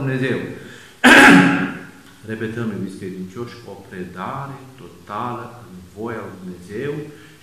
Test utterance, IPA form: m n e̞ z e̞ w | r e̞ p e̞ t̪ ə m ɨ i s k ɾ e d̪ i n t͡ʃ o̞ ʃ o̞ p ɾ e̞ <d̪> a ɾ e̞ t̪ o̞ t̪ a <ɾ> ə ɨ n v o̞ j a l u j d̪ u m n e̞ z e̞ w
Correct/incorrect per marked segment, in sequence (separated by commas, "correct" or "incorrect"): correct, incorrect